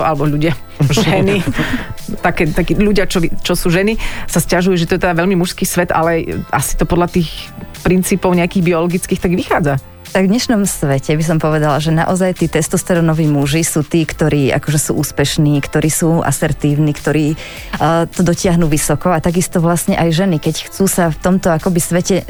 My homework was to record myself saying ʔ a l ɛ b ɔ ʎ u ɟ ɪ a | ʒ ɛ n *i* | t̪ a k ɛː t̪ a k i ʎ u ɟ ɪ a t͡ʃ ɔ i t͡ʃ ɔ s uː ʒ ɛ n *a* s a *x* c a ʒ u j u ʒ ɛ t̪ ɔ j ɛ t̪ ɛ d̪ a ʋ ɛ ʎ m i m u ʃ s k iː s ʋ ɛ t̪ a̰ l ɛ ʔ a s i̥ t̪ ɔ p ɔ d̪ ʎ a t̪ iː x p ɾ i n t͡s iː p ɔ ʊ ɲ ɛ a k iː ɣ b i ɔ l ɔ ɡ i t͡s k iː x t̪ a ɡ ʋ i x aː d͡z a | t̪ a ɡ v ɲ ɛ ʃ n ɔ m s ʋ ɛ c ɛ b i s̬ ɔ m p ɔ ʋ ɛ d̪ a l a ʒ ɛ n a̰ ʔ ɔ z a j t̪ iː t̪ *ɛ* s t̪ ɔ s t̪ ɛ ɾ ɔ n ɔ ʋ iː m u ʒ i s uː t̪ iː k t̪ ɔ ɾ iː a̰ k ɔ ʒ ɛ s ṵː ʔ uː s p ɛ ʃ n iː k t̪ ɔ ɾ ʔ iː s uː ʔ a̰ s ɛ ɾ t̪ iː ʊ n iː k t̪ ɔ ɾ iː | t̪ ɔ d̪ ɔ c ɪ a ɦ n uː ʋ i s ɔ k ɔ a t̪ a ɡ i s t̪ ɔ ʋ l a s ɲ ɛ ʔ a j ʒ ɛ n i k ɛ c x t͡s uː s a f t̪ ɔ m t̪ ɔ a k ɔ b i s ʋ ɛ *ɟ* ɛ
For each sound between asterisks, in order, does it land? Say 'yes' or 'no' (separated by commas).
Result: yes, no, no, yes, no